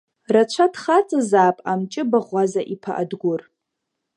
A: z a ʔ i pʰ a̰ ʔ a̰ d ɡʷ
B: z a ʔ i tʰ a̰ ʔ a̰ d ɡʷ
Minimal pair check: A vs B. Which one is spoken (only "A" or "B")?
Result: A